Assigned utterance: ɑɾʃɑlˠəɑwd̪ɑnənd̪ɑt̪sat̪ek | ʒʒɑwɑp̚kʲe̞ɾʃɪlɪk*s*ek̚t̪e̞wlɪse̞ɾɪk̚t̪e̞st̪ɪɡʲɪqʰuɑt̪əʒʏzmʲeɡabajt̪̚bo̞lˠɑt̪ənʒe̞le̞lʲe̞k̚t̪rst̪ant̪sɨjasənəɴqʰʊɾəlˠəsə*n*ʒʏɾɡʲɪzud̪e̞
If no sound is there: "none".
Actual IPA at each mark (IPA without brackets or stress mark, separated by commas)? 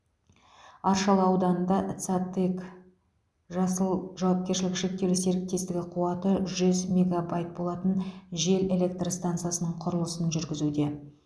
ʃ, n